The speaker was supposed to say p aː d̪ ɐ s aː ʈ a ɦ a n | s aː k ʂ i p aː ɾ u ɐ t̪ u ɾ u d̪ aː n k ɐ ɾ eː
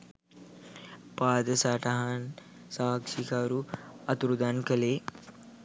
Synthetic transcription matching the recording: p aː d̪ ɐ s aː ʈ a ɦ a n | s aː k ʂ i k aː ɾ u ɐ t̪ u ɾ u d̪ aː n k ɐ l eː